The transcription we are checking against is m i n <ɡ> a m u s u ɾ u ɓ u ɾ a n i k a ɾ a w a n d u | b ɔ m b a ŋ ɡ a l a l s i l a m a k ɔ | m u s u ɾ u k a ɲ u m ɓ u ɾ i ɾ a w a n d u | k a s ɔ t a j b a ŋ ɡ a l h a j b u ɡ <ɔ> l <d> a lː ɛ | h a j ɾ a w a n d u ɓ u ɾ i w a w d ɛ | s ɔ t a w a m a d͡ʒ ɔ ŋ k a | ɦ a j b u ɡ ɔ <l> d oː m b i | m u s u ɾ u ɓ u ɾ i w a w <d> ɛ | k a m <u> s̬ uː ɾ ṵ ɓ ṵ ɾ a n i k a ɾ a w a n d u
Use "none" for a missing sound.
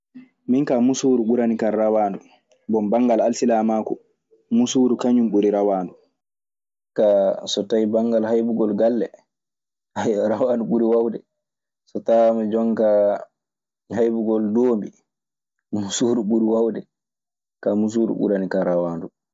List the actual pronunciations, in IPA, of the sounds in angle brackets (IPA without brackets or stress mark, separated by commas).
k, ɔ, ɡ, l, d, u